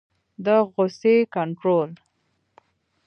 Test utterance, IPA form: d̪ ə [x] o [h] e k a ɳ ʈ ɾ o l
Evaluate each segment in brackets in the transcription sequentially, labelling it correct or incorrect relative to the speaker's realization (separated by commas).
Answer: incorrect, incorrect